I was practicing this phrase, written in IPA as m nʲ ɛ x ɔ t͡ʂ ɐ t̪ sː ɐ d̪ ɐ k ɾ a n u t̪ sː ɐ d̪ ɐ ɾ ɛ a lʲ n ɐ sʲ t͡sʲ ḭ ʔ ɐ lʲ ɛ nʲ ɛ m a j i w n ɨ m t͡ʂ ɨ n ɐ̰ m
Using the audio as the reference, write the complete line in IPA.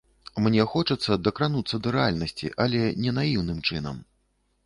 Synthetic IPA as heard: m nʲ ɛ x ɔ t͡ʂ ɐ t̪ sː ɐ d̪ ɐ k ɾ a n u t̪ sː ɐ d̪ ɐ ɾ ɛ a lʲ n ɐ sʲ t͡sʲ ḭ ʔ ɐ lʲ ɛ nʲ ɛ n a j i w n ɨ m t͡ʂ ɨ n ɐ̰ m